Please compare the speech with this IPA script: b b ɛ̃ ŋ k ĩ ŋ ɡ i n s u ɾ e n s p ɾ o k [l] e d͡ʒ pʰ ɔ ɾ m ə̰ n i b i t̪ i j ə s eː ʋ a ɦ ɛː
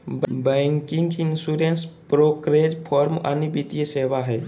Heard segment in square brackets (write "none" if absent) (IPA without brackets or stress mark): ɾ